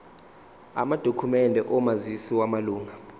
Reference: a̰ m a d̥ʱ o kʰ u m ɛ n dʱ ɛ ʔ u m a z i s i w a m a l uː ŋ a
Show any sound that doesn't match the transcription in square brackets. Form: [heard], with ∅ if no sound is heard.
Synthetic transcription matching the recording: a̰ m a d̥ʱ o kʰ u m ɛ n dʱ ɛ ʔ [ɔ] m a z i s i w a m a l uː ŋ a